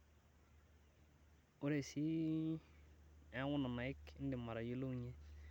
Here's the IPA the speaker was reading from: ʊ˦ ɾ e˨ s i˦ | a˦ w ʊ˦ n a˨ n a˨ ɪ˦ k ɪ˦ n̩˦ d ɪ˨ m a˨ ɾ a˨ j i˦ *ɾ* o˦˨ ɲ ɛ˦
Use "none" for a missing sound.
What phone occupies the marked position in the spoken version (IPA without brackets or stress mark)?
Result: l